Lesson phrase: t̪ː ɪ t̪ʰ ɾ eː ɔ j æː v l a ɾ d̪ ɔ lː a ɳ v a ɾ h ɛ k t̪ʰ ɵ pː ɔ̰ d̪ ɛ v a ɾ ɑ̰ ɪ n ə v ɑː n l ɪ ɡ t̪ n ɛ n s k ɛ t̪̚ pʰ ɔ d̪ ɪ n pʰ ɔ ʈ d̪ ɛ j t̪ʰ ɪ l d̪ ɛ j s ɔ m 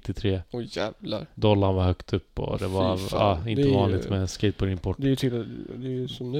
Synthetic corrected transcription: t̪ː ɪ t̪ʰ ɾ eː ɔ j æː v l a ɾ d̪ ɔ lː a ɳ v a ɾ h œ k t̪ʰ ɵ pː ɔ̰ d̪ ɛ v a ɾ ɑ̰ ɪ n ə v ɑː n l ɪ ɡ t̪ m ɛ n s k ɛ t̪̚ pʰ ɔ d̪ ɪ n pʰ ɔ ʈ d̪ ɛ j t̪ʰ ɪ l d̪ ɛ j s ɔ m